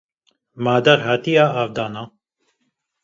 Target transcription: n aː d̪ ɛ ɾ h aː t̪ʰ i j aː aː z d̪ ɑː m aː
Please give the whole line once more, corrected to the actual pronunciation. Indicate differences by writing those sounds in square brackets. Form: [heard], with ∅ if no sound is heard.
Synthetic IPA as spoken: [m] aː d̪ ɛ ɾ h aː [t̪] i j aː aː [v] d̪ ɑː [n] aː